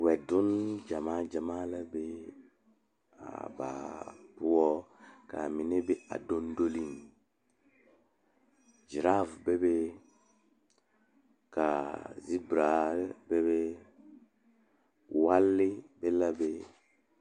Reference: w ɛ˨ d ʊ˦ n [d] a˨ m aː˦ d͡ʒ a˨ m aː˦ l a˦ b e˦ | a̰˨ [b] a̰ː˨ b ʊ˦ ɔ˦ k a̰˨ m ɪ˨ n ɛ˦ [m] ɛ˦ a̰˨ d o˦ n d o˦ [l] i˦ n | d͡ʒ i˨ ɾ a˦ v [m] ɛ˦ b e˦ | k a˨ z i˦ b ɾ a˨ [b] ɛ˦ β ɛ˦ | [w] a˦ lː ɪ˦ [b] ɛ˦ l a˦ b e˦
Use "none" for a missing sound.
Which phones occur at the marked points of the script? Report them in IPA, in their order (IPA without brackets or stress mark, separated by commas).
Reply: d͡ʒ, b, b, l, b, b, w, b